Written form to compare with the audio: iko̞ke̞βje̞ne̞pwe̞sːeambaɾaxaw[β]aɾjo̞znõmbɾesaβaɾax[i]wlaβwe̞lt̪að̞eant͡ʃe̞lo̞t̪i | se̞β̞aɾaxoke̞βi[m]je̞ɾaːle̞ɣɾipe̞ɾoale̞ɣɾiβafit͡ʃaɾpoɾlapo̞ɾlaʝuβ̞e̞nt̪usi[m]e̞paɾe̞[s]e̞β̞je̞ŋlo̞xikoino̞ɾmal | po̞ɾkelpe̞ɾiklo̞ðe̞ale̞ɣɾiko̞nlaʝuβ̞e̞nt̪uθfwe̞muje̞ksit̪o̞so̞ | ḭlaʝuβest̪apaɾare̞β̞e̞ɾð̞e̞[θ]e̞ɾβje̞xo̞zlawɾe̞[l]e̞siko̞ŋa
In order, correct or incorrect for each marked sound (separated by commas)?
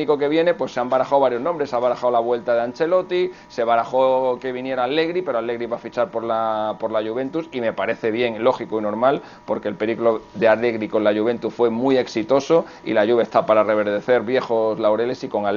correct, incorrect, incorrect, correct, incorrect, correct, correct